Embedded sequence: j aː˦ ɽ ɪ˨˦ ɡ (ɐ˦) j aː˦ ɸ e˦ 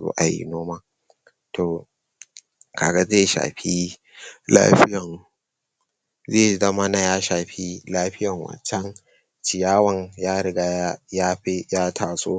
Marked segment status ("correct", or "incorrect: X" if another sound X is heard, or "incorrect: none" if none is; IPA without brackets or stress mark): incorrect: a˦